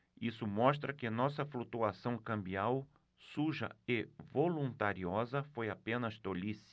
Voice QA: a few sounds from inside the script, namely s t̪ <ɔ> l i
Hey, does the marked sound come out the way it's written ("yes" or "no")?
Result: no